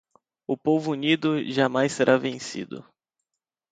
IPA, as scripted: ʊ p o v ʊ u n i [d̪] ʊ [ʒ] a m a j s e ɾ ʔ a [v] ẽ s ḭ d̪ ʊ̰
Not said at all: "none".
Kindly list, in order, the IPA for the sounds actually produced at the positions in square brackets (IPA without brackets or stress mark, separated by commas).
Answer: d̪, ʒ, v